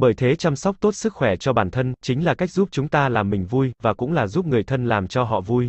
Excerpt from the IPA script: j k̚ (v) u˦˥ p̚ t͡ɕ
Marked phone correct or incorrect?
incorrect